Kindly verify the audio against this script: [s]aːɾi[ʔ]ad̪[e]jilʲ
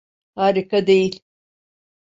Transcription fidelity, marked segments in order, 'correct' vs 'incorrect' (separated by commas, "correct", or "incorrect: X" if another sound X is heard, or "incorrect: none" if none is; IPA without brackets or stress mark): incorrect: h, incorrect: k, correct